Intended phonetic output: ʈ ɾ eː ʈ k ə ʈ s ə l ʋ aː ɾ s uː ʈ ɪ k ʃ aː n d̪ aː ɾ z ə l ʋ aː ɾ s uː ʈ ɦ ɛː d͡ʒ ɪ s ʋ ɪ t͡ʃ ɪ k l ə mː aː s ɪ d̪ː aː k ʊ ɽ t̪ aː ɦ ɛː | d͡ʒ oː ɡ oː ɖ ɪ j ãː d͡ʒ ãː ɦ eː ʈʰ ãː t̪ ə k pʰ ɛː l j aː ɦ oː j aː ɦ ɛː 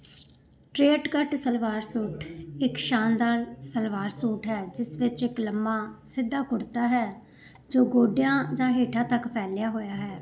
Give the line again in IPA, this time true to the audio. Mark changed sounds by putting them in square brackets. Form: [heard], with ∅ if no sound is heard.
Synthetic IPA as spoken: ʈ ɾ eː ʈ k ə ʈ s ə l ʋ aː ɾ s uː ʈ ɪ k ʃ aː n d̪ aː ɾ [s] ə l ʋ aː ɾ s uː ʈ ɦ ɛː d͡ʒ ɪ s ʋ ɪ t͡ʃ ɪ k l ə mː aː s ɪ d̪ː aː k ʊ ɽ t̪ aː ɦ ɛː | d͡ʒ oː ɡ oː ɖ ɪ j ãː d͡ʒ ãː ɦ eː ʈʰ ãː t̪ ə k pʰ ɛː l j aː ɦ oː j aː ɦ ɛː